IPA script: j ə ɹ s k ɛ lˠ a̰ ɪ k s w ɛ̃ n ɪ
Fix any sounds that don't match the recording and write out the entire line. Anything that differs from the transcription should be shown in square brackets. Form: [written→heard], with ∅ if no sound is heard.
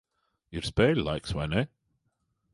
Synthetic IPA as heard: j ə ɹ s [k→p] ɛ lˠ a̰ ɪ k s w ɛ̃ n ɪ